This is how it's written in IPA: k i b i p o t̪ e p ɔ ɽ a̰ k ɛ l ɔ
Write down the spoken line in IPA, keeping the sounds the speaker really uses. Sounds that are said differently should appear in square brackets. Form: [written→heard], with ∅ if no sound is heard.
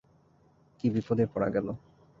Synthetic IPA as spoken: k i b i p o [t̪→d̪] e p ɔ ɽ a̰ [k→ɡ] ɛ l [ɔ→o]